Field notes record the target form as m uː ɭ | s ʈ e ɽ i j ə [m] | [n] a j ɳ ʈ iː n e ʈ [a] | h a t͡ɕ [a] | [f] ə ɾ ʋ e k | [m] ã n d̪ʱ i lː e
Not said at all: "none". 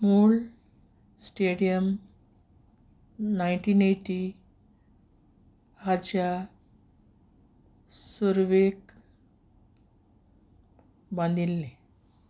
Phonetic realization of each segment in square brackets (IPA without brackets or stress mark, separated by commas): m, n, i, a, s, b